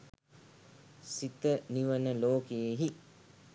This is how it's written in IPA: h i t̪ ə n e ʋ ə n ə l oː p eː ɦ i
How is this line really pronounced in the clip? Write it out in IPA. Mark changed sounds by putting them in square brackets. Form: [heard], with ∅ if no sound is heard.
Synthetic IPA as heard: [s] i t̪ ə n [i] ʋ ə n ə l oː [k] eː ɦ i